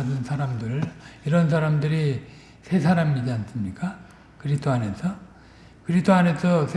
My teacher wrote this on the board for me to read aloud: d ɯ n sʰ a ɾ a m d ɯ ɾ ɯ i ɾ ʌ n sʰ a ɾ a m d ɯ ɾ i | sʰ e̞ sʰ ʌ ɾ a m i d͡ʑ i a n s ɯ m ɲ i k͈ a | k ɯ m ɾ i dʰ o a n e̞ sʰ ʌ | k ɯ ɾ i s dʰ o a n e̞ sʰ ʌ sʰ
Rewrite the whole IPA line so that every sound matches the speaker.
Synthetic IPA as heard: d ɯ n sʰ a ɾ a m d ɯ ɾ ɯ i ɾ ʌ n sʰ a ɾ a m d ɯ ɾ i | sʰ e̞ sʰ a ɾ a m i d͡ʑ i a n s ɯ m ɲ i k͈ a | k ɯ ɾ i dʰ o a n e̞ sʰ ʌ | k ɯ ɾ i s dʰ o a n e̞ sʰ ʌ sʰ